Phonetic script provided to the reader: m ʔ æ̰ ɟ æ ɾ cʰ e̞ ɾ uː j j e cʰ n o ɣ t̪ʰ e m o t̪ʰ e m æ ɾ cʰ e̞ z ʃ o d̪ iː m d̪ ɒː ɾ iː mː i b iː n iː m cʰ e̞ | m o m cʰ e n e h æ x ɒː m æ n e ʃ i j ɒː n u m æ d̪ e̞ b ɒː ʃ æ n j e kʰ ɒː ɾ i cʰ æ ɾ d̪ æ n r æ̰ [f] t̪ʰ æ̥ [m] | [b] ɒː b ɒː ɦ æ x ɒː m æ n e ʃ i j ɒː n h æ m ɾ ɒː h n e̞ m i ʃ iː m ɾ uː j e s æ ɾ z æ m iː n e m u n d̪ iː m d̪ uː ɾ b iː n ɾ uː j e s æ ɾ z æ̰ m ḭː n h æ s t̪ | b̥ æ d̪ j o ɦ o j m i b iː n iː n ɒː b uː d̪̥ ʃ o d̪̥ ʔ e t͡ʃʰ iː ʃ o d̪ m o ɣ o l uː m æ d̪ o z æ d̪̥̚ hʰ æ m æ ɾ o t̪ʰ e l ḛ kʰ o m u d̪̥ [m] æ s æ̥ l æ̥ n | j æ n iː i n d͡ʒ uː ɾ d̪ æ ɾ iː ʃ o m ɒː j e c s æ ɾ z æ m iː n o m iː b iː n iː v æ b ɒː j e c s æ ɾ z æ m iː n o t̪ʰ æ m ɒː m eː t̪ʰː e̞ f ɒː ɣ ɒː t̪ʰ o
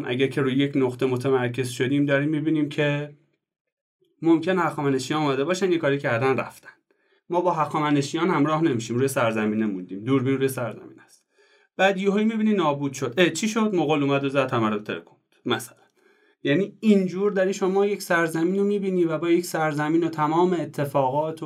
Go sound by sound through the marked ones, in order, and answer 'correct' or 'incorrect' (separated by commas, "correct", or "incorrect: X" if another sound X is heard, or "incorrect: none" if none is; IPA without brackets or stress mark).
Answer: correct, incorrect: n, incorrect: m, correct